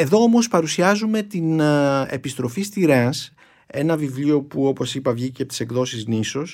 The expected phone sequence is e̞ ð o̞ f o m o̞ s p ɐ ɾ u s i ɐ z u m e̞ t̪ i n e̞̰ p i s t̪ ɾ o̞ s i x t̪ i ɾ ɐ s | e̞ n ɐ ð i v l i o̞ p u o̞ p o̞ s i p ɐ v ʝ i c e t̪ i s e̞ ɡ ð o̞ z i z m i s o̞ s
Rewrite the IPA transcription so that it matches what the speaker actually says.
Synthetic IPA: e̞ ð o̞ o m o̞ s p ɐ ɾ u s i ɐ z u m e̞ t̪ i n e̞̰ p i s t̪ ɾ o̞ f i s t̪ i ɾ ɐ s | e̞ n ɐ v i v l i o̞ p u o̞ p o̞ s i p ɐ v ʝ i c e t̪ i s e̞ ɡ ð o̞ s i z n i s o̞ s